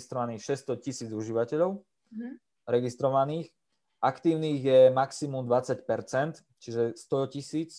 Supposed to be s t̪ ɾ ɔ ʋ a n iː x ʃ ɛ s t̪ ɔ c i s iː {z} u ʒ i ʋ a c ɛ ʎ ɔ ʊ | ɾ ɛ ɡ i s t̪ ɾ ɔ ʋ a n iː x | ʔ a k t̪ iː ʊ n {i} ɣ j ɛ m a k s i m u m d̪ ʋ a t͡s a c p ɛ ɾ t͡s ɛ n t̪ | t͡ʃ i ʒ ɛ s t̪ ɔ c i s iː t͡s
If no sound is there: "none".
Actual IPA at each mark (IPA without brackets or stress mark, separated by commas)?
d͡z, iː